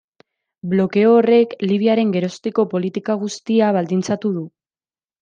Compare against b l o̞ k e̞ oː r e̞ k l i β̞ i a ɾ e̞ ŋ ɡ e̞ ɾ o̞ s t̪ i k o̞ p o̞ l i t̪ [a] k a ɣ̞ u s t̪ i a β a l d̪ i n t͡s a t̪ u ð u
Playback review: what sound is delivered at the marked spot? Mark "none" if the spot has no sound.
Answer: i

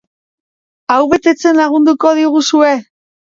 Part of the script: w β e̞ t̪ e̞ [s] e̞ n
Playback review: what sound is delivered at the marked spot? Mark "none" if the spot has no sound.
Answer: t͡s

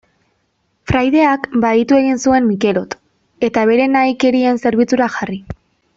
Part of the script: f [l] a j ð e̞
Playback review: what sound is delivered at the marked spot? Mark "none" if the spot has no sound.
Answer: ɾ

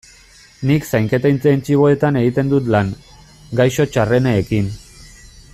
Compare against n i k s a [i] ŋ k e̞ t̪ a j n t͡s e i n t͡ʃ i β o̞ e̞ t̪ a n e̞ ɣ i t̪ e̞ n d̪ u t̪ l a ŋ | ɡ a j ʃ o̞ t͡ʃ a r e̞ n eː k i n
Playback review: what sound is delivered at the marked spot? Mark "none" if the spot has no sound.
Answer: j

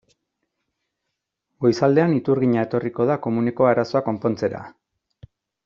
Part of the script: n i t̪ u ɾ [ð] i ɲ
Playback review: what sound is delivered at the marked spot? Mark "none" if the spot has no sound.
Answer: ɣ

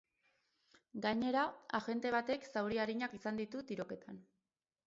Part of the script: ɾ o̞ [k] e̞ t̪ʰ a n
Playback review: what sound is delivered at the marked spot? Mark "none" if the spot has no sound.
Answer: k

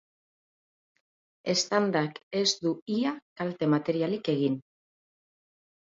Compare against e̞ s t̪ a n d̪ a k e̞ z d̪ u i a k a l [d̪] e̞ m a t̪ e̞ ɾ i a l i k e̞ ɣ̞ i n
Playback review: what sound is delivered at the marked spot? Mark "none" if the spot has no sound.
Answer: t̪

